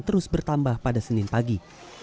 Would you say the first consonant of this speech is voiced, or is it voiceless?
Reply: voiceless